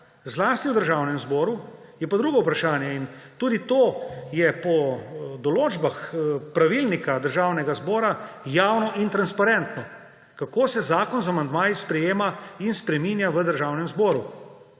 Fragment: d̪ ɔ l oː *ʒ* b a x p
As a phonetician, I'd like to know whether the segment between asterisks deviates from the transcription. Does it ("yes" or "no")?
yes